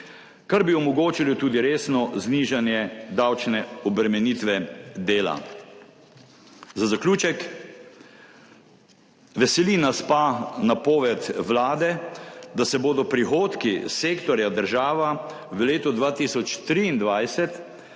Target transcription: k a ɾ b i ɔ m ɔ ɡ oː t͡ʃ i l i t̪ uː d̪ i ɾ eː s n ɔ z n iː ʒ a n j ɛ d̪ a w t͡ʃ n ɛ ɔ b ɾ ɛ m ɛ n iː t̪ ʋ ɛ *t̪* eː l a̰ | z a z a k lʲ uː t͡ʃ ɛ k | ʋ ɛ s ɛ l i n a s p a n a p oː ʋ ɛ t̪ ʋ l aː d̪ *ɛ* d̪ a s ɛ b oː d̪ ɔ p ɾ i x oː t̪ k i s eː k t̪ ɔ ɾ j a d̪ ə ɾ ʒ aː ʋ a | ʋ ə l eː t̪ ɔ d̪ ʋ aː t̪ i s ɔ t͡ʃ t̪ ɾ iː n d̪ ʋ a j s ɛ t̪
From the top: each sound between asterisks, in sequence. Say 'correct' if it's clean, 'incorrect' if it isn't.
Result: incorrect: d̪, correct

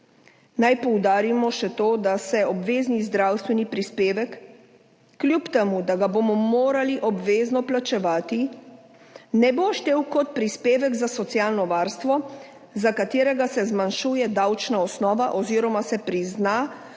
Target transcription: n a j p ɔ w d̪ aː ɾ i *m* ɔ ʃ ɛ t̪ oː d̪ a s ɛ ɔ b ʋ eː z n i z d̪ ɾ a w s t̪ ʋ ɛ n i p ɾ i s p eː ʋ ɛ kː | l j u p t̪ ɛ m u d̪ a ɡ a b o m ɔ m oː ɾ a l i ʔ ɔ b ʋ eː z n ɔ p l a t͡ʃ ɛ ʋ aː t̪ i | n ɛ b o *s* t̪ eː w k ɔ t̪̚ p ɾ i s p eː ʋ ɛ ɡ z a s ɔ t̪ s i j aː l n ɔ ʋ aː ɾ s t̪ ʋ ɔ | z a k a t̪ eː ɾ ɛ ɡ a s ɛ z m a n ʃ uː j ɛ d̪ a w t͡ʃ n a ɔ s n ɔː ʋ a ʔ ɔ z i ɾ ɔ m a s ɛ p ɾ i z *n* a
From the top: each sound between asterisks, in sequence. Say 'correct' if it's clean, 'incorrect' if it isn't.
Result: correct, incorrect: ʃ, correct

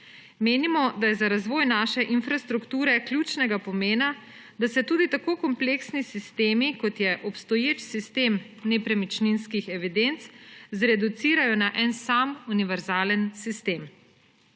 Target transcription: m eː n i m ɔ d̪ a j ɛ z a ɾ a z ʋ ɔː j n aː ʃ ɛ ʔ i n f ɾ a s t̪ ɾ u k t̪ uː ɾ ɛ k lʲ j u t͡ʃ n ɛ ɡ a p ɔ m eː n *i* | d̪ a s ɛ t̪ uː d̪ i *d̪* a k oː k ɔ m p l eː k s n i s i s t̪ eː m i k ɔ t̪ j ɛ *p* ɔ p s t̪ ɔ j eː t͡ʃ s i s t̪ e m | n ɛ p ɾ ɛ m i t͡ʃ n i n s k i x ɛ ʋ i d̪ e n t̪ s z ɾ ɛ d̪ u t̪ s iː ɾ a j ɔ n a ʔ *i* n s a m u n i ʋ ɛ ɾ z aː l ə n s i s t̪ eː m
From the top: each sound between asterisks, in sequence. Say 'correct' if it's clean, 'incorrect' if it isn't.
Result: incorrect: a, incorrect: t̪, incorrect: ʔ, incorrect: ɛ

